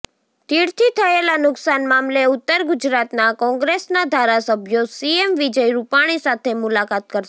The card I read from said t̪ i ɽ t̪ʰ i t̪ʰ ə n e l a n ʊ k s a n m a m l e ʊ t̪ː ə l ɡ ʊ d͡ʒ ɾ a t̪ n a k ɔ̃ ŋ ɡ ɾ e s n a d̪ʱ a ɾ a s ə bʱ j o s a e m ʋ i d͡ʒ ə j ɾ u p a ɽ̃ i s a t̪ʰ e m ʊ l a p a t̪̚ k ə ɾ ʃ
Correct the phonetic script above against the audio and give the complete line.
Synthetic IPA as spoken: t̪ i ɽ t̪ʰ i t̪ʰ ə e l a n ʊ k s a n m a m l e ʊ t̪ː ə ɾ ɡ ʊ d͡ʒ ɾ a t̪ n a k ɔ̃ ŋ ɡ ɾ e s n a d̪ʱ a ɾ a s ə bʱ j o s i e m ʋ i d͡ʒ ə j ɾ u p a ɽ̃ i s a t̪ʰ e m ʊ l a k a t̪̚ k ə ɾ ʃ